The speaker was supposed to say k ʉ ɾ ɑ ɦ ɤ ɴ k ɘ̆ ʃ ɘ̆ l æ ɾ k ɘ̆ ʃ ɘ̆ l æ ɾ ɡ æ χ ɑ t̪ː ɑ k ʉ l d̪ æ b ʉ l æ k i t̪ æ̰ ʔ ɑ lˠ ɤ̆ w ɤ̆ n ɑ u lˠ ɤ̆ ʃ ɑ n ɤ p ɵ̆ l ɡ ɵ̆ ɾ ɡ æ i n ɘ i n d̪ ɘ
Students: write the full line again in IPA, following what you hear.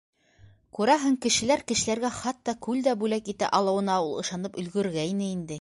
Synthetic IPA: k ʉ ɾ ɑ ɦ ɤ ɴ k ɘ̆ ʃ ɘ̆ l æ ɾ k ɘ̆ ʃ ɘ̆ l æ ɾ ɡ æ χ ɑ t̪ː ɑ k ʉ l d̪ æ b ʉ l æ k i t̪ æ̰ ʔ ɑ lˠ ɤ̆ w ɤ̆ n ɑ u lˠ ɤ̆ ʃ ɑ n ɤ p ɵ̆ l ɡ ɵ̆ ɾ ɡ æ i n ɘ i n d̪ ɘ